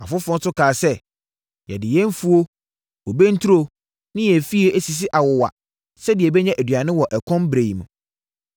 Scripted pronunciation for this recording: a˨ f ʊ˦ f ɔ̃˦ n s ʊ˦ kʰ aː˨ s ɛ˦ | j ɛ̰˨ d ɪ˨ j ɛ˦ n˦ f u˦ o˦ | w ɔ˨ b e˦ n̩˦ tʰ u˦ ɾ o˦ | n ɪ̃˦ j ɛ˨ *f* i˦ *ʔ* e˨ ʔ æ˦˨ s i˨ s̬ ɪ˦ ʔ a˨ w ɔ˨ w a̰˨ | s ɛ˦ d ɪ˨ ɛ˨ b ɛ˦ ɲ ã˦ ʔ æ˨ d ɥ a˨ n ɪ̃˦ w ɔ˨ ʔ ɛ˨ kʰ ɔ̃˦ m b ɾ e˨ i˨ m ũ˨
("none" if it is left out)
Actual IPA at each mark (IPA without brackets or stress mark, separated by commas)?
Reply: f, none